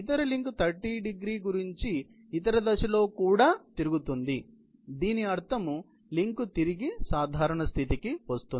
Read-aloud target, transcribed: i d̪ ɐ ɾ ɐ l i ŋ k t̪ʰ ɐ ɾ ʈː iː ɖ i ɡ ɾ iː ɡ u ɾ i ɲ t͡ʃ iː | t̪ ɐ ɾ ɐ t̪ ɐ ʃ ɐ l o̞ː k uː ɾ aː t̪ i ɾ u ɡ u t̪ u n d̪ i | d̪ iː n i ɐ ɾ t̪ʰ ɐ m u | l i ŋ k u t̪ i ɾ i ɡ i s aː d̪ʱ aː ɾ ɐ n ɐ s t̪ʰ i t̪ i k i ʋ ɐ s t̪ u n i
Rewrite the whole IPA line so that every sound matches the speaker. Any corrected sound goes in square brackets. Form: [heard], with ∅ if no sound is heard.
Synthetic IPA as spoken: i [t̪] ɐ ɾ ɐ l i ŋ k t̪ʰ ɐ ɾ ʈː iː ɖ i ɡ ɾ iː ɡ u ɾ i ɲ t͡ʃ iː | t̪ ɐ ɾ ɐ [d̪] ɐ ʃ ɐ l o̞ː k uː [ɽ] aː t̪ i ɾ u ɡ u t̪ u n d̪ i | d̪ iː n i ɐ ɾ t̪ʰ ɐ m u | l i ŋ k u t̪ i ɾ i ɡ i s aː d̪ʱ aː ɾ ɐ [ɳ] ɐ s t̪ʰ i t̪ i k i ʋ ɐ s t̪ u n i

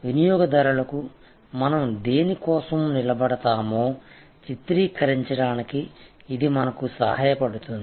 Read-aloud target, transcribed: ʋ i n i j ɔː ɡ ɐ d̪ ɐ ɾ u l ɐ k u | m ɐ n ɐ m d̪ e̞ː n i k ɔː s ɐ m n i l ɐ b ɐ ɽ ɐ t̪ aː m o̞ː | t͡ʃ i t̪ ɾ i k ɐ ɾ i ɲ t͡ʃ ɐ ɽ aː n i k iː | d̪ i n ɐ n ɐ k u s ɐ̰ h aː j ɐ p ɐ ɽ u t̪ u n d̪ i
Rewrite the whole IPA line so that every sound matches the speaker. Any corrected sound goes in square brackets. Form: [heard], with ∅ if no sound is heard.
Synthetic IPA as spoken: ʋ i n i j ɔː ɡ ɐ d̪ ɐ ɾ u l ɐ k u | m ɐ n ɐ m d̪ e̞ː n i k ɔː s ɐ m n i l ɐ b ɐ ɽ ɐ t̪ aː m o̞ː | t͡ʃ i t̪ ɾ [iː] k ɐ ɾ i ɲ t͡ʃ ɐ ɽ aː n i k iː | d̪ i [m] ɐ n ɐ k u s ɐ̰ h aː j ɐ p ɐ ɽ u t̪ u n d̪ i

